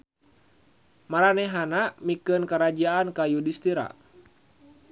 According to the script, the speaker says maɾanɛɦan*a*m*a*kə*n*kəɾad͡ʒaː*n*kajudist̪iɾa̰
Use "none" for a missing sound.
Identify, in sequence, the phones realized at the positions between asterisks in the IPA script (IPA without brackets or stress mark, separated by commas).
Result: a, i, n, n